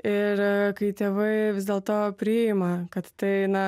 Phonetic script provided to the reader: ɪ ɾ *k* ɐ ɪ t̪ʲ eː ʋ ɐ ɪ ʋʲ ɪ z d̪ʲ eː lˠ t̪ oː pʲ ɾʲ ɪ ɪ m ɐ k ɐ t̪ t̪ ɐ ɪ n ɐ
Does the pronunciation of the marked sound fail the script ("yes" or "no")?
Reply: no